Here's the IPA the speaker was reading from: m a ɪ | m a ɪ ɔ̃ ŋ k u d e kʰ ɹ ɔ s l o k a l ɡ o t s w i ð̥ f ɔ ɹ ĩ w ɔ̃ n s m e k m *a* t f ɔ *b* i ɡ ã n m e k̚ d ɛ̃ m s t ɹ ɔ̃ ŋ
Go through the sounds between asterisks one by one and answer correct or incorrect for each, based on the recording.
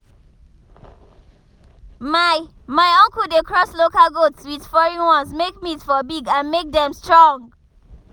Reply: incorrect, correct

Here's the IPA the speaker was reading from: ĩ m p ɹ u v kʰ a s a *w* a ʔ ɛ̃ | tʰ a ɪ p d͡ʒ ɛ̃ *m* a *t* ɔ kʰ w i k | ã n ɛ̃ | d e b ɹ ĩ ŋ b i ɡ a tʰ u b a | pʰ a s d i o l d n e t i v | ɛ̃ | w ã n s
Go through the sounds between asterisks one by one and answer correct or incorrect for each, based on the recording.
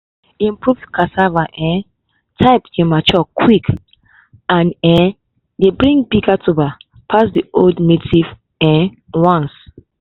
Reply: incorrect, correct, incorrect

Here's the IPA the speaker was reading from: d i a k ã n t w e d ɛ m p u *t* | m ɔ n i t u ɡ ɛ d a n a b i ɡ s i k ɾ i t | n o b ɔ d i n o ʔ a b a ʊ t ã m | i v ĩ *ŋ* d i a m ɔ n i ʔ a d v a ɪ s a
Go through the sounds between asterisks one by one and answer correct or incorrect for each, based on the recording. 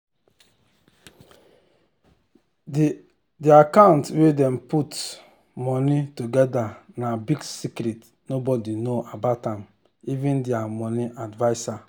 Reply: correct, incorrect

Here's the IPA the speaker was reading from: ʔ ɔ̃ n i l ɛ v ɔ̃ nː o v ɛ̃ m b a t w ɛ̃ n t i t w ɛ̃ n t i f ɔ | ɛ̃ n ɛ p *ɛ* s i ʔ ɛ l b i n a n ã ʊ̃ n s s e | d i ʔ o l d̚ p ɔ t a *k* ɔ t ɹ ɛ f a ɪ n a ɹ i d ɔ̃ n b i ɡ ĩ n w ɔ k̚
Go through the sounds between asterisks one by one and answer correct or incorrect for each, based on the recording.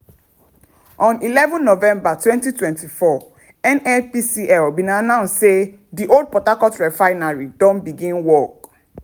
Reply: incorrect, correct

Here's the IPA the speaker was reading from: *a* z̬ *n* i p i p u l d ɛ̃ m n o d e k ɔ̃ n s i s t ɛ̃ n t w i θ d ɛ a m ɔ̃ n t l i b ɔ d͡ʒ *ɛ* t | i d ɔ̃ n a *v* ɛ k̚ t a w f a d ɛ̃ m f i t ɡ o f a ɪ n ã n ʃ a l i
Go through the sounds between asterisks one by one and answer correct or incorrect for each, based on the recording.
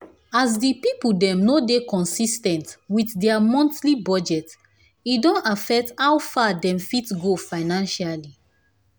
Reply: correct, incorrect, correct, incorrect

